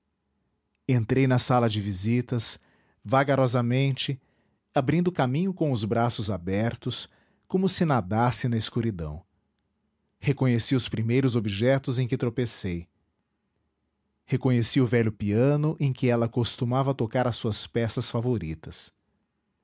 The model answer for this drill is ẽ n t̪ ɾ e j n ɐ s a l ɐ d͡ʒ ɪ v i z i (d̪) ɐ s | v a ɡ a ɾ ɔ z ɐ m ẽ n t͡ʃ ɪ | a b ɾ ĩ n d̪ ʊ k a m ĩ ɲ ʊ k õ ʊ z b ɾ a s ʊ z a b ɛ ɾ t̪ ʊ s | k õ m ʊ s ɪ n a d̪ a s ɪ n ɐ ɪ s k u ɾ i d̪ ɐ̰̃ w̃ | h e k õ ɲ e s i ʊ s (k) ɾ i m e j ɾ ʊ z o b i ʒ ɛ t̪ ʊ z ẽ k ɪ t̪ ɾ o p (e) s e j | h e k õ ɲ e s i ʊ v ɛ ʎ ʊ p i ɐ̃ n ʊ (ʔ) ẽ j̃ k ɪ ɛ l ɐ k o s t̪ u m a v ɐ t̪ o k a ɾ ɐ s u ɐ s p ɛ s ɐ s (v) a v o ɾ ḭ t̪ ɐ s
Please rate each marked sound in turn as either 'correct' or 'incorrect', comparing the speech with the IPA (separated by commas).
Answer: incorrect, incorrect, correct, correct, incorrect